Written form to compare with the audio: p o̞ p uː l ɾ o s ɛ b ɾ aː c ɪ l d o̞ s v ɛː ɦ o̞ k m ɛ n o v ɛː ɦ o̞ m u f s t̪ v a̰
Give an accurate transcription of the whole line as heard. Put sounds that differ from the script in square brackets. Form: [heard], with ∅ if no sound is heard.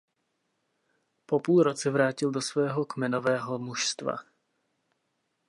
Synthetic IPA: p o̞ p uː l ɾ o [t͡s] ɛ [v] ɾ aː c ɪ l d o̞ s v ɛː ɦ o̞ k m ɛ n o v ɛː ɦ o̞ m u [ʃ] s t̪ v a̰